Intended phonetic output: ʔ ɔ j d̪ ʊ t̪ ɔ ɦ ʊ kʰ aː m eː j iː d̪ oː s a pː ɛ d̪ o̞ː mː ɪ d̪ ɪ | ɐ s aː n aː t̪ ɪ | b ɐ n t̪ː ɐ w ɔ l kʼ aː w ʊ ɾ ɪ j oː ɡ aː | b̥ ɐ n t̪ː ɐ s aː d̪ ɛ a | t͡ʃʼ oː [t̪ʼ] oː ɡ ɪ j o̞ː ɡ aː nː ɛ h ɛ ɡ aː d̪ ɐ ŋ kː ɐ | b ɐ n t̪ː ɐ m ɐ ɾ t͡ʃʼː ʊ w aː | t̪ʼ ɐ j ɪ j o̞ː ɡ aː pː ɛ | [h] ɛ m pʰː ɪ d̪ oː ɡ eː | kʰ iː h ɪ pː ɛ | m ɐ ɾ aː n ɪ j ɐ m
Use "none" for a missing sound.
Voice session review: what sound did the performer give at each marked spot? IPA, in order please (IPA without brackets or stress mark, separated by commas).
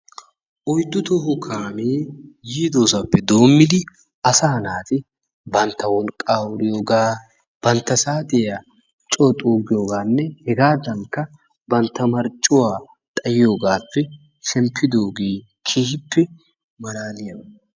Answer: t̪ʼ, ʃ